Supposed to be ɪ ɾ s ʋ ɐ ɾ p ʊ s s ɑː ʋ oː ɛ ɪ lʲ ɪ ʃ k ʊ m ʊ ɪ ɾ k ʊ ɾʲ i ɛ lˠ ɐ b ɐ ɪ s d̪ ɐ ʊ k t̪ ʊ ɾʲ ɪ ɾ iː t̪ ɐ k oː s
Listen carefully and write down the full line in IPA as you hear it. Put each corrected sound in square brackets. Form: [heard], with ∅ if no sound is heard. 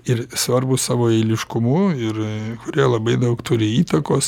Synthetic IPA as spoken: ɪ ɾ s ʋ ɐ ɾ [b] ʊ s s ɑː ʋ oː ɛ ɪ lʲ ɪ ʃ k ʊ m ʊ ɪ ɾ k ʊ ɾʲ i ɛ lˠ ɐ b ɐ ɪ [∅] d̪ ɐ ʊ k t̪ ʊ ɾʲ ɪ [∅] iː t̪ ɐ k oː s